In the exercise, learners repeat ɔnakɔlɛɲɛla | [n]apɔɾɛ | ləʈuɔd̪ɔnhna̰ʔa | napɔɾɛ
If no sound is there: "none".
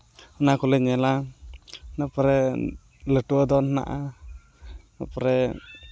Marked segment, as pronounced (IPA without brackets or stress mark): n